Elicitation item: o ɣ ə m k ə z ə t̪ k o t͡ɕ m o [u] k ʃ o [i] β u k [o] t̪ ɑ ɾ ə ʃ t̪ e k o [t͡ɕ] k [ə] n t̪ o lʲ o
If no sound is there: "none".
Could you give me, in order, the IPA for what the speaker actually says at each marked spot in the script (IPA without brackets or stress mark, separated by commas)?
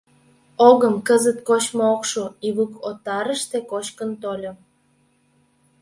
o, i, o, t͡ɕ, ə